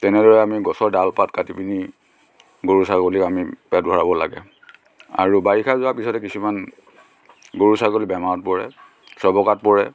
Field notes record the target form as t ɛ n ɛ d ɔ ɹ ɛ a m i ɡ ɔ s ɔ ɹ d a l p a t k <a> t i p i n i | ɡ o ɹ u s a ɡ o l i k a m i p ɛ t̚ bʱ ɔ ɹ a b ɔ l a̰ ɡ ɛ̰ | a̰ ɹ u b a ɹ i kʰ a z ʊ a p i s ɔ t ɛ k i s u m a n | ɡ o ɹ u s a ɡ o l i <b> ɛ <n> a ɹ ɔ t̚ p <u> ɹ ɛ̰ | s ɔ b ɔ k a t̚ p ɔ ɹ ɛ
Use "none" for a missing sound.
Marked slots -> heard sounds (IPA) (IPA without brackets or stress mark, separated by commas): a, b, m, ɔ